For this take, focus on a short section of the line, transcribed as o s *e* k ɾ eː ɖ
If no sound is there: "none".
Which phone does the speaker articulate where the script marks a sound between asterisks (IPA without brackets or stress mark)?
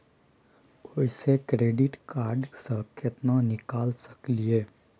e